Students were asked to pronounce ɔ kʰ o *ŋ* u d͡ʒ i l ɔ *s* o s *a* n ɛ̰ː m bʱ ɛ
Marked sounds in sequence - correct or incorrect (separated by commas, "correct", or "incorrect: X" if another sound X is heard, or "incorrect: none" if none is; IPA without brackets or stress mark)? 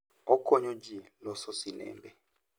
incorrect: ɲ, correct, incorrect: i